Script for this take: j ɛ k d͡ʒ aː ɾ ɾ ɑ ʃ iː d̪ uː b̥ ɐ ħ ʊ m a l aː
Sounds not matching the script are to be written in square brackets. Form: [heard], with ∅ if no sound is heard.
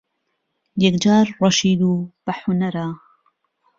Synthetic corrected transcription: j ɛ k d͡ʒ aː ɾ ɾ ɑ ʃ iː d̪ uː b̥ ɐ ħ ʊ [n] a [ɾ] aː